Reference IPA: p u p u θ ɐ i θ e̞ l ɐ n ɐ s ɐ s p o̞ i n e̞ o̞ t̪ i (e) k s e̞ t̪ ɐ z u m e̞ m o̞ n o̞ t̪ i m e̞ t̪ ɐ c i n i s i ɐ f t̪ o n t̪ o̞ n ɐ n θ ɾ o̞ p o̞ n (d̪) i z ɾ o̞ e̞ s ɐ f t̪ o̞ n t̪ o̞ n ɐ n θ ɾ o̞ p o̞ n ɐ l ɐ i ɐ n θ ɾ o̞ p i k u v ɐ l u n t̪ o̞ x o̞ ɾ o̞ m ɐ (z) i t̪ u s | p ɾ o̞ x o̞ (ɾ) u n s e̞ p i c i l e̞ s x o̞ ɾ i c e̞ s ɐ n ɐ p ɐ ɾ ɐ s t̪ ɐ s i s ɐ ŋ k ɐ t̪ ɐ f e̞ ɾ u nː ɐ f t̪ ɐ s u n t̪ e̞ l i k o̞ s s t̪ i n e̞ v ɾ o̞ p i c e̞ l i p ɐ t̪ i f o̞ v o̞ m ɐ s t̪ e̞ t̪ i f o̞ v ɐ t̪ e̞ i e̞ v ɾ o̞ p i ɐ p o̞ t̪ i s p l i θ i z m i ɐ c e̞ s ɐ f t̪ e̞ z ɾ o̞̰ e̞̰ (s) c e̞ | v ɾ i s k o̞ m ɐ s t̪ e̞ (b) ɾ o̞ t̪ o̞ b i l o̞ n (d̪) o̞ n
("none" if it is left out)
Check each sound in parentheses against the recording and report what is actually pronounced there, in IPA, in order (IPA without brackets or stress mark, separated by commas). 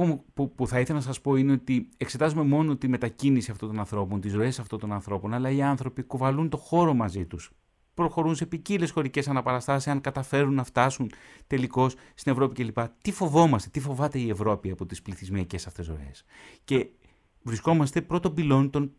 e, t̪, z, ɾ, s, p, t̪